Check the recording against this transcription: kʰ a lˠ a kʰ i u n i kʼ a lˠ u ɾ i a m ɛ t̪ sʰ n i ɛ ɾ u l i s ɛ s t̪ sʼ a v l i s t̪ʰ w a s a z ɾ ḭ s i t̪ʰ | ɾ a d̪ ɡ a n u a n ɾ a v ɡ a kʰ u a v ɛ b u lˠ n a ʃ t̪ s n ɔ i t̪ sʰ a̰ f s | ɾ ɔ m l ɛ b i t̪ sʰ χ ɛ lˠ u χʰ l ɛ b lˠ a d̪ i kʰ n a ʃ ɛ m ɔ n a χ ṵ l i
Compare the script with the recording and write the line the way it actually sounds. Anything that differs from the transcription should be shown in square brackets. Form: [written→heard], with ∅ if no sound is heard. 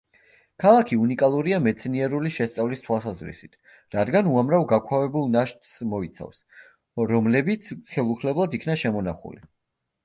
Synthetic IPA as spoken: kʰ a lˠ a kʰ i u n i kʼ a lˠ u ɾ i a m ɛ t̪ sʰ n i ɛ ɾ u l i [s→ʃ] ɛ s t̪ sʼ a v l i s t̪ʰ w a s a z ɾ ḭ s i t̪ʰ | ɾ a d̪ ɡ a n u a [n→m] ɾ a v ɡ a kʰ [u→w] a v ɛ b u lˠ n a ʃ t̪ s [n→m] ɔ i t̪ sʰ a̰ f s | ɾ ɔ m l ɛ b i t̪ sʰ χ ɛ lˠ u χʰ l ɛ b lˠ a d̪ i kʰ n a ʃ ɛ m ɔ n a χ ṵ l i